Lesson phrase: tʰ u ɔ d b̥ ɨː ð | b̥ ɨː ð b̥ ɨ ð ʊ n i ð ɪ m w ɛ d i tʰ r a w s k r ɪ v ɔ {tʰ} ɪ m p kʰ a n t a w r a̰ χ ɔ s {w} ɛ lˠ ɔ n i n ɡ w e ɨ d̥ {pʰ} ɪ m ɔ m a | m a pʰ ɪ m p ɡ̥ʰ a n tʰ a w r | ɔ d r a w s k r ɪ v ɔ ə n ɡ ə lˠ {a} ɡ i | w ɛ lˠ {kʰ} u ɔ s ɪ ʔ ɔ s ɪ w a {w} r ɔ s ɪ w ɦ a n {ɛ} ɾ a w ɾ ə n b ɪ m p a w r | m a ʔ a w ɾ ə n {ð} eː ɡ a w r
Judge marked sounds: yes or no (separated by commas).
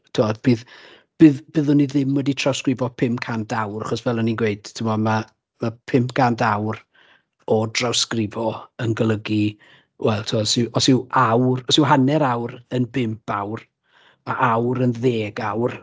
no, no, no, no, no, yes, yes, yes